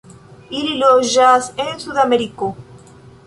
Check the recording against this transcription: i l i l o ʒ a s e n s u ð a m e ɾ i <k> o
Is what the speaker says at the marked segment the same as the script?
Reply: yes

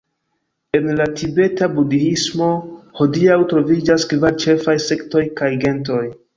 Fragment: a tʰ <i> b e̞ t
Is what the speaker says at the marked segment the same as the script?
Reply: yes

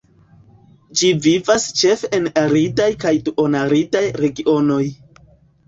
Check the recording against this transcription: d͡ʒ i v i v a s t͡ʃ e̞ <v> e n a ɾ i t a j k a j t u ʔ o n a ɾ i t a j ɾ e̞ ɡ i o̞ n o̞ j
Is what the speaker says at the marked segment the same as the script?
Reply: no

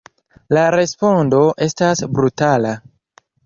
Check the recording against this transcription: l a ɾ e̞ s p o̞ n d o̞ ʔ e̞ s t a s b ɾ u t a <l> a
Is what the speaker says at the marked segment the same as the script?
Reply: yes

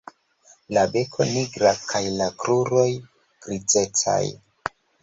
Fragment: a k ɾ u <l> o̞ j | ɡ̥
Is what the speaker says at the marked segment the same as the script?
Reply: no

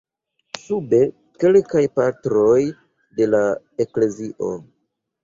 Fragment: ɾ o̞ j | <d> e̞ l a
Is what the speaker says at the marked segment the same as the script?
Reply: yes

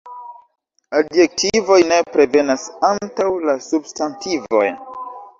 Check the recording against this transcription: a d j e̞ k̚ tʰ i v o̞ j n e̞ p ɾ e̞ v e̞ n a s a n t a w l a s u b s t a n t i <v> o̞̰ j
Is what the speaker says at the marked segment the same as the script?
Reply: yes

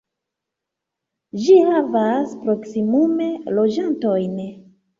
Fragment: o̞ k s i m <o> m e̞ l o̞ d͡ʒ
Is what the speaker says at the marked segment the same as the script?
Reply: no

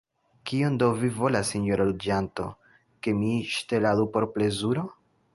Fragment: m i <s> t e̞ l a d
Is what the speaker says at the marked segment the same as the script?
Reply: no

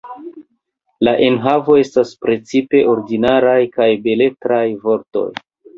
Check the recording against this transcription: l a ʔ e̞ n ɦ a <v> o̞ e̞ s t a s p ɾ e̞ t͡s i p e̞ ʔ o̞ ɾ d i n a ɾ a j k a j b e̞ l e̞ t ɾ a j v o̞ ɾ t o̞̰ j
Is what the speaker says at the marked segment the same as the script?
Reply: yes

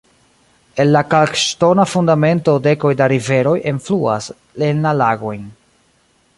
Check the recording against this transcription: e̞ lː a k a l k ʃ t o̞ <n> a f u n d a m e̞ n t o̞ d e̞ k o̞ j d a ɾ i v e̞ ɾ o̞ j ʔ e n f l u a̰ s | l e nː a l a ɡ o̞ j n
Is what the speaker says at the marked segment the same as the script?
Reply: yes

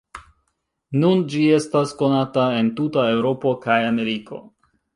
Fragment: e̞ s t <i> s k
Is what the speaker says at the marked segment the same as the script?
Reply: no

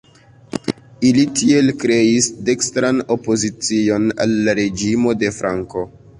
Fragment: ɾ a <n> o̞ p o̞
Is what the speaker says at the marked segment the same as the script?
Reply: yes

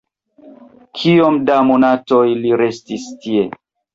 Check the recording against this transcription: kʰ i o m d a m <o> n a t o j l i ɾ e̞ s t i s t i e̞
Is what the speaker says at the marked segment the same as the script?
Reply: yes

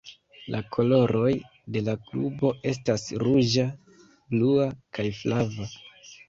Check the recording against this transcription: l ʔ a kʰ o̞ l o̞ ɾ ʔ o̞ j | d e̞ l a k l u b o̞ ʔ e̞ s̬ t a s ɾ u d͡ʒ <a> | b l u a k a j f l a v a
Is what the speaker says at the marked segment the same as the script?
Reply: yes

